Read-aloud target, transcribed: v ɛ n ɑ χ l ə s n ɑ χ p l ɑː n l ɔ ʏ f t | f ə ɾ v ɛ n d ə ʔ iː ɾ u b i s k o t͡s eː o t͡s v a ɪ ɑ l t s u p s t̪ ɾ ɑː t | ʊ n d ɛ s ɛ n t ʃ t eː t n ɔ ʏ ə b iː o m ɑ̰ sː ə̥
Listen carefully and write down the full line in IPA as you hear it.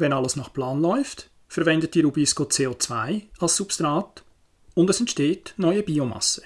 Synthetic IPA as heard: v ɛ n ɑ l ə s n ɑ χ p l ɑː n l ɔ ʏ f t | f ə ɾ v ɛ n d ə t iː ɾ u b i s k o t͡s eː o t͡s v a ɪ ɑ l s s u p s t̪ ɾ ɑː t | ʊ n d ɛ s ɛ n t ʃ t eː t n ɔ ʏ ə b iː o m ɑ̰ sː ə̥